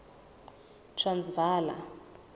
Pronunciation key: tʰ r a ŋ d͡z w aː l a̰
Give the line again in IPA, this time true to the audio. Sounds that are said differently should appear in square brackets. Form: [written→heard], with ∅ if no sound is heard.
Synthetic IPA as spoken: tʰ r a [ŋ→n] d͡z [w→v] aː l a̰

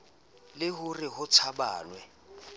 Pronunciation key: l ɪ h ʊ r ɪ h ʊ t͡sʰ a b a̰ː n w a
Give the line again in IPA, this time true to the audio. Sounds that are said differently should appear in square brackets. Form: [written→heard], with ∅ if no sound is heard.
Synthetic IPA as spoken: l ɪ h ʊ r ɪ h ʊ t͡sʰ a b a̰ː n w [a→ɛ]

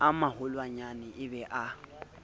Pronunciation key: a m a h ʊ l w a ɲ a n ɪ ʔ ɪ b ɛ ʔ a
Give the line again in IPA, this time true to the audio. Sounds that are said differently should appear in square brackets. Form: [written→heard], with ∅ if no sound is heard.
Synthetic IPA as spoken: a m a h ʊ l w a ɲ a n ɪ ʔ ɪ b ɛ ʔ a

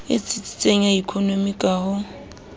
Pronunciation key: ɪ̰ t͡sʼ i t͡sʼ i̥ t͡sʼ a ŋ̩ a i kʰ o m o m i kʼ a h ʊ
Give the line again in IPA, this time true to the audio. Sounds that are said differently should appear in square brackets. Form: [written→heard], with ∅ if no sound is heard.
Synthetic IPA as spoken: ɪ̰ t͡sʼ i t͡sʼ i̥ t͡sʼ [a→e] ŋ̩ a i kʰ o [m→n] o m i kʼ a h ʊ

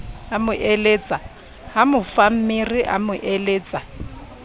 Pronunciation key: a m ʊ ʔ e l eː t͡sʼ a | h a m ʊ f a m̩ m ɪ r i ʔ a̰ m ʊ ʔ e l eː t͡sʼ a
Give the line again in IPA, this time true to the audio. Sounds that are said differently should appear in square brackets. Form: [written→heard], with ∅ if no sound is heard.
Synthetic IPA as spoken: a m ʊ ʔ e l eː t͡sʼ a | h a m ʊ f a m̩ m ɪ r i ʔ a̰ m ʊ ʔ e l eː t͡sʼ a

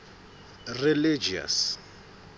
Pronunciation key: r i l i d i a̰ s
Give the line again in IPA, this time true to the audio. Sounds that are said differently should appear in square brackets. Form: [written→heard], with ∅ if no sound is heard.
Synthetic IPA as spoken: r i l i [d→d͡ʒ] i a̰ s

